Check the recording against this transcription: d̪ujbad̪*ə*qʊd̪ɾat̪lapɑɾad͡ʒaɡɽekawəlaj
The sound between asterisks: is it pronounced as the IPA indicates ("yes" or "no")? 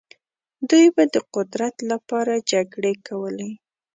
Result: yes